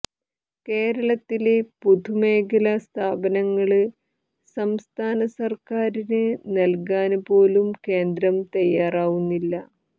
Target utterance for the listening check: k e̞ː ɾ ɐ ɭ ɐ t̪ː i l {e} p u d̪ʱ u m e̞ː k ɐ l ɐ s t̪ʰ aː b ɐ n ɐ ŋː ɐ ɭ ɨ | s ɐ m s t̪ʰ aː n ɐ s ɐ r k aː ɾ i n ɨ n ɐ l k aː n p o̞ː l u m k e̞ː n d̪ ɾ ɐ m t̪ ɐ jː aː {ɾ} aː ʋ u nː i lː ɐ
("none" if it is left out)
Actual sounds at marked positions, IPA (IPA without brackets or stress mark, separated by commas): e, r